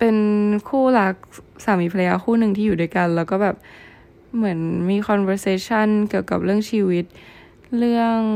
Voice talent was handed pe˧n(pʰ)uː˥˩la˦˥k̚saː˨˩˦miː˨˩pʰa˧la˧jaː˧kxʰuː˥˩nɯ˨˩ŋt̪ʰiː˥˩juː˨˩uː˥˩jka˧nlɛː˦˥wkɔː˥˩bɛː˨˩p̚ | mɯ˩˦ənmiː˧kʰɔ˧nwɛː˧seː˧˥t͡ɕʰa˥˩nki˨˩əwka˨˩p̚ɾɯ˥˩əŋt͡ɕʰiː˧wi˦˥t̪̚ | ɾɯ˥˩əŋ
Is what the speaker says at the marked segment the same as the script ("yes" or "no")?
no